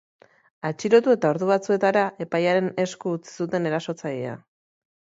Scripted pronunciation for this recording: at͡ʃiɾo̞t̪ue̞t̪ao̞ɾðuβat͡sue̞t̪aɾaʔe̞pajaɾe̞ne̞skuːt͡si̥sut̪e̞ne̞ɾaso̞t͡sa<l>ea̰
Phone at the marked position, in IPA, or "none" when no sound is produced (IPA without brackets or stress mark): ʎ